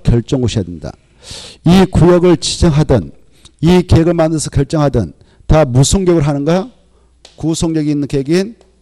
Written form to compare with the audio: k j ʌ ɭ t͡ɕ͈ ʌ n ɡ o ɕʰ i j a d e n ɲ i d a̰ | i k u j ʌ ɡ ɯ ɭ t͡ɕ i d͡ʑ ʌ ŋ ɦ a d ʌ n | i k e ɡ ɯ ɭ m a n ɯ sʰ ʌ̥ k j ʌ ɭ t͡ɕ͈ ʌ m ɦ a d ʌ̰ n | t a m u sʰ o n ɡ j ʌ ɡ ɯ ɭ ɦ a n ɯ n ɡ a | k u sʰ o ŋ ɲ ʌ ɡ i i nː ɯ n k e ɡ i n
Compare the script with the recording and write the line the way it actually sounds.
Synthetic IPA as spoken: k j ʌ ɭ t͡ɕ͈ ʌ ŋ ɡ o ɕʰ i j a d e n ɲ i d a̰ | i k u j ʌ ɡ ɯ ɭ t͡ɕ i d͡ʑ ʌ ŋ ɦ a d ʌ n | i k e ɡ ɯ ɭ m a n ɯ sʰ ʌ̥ k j ʌ ɭ t͡ɕ͈ ʌ ŋ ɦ a d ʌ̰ n | t a m u sʰ o ŋ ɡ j ʌ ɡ ɯ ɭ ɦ a n ɯ n ɡ a | k u sʰ o ŋ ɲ ʌ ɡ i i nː ɯ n k e ɡ i n